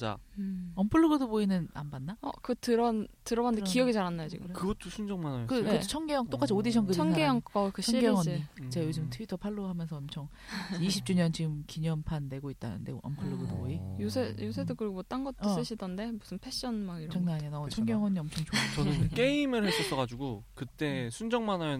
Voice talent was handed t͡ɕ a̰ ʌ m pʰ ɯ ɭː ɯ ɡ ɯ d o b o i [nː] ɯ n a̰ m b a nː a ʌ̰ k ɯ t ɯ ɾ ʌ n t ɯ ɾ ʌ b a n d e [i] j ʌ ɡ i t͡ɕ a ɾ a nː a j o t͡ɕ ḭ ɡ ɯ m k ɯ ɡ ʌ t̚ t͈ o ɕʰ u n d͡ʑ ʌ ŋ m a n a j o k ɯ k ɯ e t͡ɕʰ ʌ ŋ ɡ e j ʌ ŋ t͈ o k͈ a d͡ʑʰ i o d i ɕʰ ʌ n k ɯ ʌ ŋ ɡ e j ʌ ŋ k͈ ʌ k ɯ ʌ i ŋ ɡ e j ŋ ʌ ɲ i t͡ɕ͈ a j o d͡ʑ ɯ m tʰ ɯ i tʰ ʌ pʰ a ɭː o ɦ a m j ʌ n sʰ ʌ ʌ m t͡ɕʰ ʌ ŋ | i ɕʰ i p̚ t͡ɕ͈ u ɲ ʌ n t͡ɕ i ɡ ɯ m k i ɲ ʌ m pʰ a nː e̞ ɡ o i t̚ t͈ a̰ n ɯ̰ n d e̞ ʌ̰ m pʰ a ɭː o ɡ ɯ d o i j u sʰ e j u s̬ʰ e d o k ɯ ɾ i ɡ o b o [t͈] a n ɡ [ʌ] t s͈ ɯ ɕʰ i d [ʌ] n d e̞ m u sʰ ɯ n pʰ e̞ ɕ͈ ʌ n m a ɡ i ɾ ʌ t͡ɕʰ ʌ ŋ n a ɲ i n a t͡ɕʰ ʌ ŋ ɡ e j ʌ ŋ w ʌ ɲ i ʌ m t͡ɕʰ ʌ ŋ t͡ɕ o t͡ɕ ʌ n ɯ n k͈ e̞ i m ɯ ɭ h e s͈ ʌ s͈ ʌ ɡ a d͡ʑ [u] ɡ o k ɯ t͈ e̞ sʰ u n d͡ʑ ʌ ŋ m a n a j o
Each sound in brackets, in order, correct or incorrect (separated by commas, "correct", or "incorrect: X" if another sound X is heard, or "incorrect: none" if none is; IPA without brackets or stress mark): incorrect: n, correct, correct, correct, correct, correct